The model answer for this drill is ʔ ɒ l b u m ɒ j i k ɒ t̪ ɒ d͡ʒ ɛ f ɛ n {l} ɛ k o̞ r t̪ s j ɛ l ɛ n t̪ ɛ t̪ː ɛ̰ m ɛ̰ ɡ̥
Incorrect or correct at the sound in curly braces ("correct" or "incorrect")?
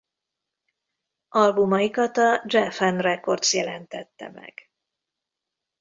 incorrect